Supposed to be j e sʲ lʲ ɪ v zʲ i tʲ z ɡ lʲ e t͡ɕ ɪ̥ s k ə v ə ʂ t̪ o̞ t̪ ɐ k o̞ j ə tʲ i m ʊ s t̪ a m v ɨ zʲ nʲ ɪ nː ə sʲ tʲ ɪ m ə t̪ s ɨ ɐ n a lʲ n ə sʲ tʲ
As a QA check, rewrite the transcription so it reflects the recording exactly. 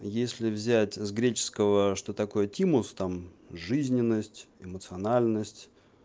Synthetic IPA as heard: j e sʲ lʲ ɪ v zʲ æ tʲ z ɡ ɾʲ e t͡ɕ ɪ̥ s k ə v ə ʂ t̪ o̞ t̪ ɐ k o̞ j ə tʲ i m ʊ s t̪ a m ʐ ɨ zʲ nʲ ɪ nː ə sʲ tʲ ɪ m ə t̪ s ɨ ɐ n a lʲ n ə sʲ tʲ